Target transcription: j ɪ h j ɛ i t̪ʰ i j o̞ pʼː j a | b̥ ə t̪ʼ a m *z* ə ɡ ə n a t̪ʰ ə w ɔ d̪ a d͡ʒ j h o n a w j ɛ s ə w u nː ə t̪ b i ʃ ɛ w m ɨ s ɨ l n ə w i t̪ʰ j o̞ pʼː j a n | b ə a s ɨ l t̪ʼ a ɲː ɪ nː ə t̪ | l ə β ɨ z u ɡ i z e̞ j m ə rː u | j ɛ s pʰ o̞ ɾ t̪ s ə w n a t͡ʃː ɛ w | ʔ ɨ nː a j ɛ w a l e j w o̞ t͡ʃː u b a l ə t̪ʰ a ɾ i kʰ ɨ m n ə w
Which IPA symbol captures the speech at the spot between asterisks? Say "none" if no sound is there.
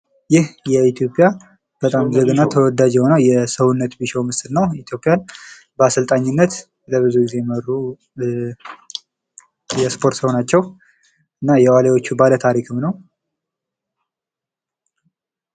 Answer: z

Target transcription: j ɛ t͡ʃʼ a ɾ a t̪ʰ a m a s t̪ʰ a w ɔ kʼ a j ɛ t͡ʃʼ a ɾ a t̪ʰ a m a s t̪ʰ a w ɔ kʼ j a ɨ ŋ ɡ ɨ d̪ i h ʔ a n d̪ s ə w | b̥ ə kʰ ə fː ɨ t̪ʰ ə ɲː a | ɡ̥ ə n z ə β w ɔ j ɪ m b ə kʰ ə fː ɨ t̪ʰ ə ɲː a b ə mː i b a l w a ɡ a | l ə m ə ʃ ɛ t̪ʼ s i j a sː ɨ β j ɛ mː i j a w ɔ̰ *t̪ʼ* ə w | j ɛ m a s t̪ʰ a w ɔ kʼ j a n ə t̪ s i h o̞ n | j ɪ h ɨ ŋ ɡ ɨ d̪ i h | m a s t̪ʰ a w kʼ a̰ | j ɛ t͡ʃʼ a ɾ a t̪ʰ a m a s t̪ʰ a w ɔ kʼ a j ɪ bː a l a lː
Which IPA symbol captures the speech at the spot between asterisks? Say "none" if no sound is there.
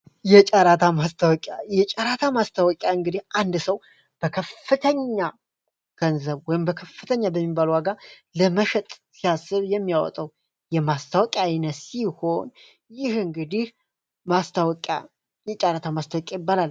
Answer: t̪ʼ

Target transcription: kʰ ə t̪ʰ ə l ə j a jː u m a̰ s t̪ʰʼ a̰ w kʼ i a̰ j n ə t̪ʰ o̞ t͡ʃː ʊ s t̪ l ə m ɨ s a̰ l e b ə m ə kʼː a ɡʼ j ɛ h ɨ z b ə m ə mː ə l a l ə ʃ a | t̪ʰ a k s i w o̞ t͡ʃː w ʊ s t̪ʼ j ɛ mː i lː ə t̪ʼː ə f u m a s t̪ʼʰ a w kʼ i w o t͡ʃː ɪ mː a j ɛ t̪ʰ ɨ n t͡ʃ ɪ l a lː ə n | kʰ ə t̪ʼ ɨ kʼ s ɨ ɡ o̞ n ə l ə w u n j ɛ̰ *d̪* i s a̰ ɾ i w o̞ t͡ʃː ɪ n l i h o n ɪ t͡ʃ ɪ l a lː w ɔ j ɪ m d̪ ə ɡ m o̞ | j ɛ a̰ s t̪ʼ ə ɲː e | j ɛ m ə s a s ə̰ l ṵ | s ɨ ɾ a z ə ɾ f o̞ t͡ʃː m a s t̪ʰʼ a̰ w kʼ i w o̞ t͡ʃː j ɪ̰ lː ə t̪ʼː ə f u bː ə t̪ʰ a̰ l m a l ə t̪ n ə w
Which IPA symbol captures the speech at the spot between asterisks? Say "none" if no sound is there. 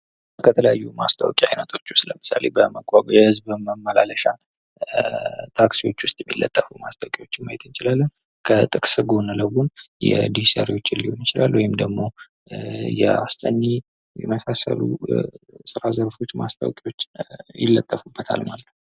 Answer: d̪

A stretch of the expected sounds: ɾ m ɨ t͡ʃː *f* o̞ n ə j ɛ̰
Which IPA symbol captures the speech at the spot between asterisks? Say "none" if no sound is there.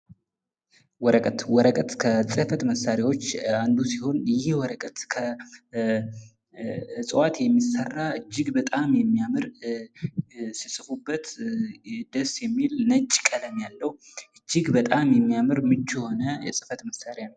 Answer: h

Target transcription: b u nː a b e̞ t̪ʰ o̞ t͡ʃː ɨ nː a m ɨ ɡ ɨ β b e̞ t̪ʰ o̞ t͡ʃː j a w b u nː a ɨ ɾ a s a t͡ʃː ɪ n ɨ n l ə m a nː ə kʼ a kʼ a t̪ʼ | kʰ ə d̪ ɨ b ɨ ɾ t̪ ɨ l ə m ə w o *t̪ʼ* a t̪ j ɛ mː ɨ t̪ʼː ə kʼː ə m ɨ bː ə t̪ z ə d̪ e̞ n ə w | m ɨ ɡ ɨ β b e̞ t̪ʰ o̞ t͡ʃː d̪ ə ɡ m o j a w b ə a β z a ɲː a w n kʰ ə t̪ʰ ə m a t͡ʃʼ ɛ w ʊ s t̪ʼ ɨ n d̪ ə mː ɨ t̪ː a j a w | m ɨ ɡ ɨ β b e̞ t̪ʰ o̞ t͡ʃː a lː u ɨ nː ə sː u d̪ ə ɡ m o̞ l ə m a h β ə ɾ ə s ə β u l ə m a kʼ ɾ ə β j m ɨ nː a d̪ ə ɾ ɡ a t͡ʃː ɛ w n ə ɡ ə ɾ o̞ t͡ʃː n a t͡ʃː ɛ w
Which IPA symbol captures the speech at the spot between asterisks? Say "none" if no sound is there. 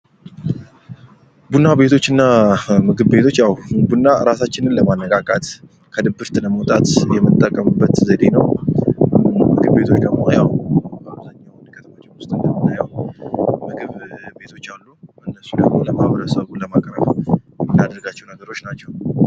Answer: t̪ʼ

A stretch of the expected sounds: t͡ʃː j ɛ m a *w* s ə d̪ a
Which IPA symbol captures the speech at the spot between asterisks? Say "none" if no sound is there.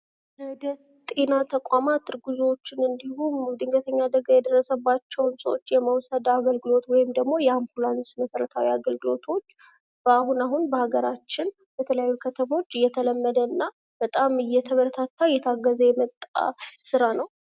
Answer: w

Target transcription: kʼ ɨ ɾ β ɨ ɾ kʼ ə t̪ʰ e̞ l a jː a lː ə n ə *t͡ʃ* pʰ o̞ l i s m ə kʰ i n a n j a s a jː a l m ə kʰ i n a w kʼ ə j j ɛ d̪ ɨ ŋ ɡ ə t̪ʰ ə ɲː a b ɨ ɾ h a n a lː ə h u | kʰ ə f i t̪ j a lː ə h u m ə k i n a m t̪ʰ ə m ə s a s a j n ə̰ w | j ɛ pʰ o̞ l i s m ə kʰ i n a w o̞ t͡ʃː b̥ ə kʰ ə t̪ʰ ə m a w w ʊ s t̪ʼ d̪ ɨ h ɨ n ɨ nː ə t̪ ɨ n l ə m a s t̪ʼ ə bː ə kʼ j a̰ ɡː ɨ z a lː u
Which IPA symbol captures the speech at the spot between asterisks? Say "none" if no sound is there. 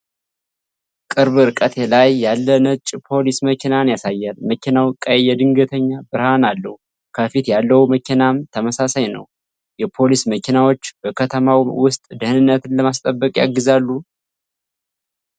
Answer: t͡ʃʼ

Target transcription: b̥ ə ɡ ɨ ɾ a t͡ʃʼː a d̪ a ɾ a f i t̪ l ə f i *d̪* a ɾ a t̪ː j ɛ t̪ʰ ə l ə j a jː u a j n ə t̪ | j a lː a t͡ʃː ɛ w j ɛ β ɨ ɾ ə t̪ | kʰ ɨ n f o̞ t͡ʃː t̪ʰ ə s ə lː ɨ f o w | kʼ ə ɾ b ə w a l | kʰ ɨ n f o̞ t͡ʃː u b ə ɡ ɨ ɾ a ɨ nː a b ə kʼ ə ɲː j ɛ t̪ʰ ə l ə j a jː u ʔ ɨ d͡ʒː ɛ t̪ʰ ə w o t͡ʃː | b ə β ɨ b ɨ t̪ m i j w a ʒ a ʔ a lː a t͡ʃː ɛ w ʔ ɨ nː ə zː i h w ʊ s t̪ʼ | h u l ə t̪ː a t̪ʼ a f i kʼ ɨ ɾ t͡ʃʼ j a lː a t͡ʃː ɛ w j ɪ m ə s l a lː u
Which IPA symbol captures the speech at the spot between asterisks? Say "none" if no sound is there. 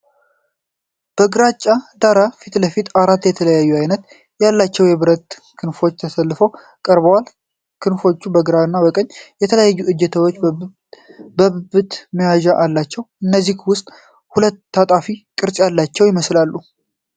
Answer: t̪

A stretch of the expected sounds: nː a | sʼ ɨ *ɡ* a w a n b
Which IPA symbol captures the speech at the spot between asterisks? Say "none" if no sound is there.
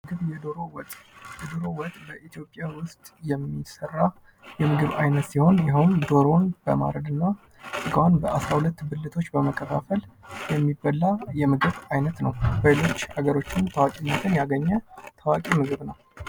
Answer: ɡ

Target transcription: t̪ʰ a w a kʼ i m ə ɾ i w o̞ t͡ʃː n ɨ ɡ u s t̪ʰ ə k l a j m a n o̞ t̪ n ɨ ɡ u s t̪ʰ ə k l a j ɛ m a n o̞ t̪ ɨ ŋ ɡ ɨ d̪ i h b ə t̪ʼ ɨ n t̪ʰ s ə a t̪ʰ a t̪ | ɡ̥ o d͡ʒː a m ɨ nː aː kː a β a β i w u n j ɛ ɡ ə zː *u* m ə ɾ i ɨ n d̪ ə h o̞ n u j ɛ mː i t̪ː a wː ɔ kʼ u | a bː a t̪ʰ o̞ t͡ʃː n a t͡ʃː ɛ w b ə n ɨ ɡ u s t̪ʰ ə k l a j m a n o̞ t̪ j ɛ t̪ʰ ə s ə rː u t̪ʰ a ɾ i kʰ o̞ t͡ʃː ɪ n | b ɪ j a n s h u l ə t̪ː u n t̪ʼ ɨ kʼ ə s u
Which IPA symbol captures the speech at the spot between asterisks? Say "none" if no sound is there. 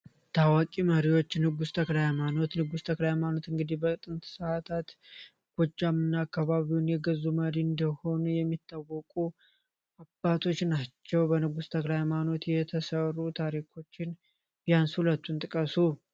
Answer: u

